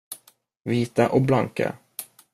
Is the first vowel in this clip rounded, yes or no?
no